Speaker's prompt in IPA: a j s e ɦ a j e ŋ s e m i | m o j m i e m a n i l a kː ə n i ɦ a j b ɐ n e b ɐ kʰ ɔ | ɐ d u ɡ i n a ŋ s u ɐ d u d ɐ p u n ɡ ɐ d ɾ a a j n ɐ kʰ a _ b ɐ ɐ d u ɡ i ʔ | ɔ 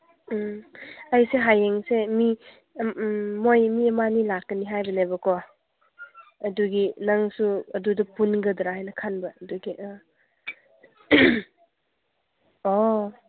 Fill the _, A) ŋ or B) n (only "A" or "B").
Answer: B